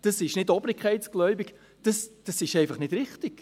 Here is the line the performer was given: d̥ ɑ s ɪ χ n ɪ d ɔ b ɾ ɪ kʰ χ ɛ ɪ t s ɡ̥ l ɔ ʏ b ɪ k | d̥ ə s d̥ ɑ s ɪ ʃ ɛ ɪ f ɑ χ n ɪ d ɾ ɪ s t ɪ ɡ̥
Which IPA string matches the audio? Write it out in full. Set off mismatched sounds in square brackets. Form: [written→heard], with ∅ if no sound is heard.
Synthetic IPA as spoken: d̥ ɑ s ɪ [χ→ʃ] n ɪ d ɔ b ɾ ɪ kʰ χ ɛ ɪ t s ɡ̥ l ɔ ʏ b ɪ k | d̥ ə s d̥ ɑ s ɪ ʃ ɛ ɪ f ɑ χ n ɪ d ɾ ɪ [s→χ] t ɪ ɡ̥